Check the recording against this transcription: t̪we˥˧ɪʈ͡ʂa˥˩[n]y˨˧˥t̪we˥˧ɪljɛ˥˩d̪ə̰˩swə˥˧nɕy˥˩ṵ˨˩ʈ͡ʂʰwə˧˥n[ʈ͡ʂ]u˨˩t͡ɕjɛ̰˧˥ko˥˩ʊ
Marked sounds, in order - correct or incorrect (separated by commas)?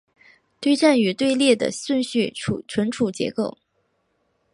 correct, incorrect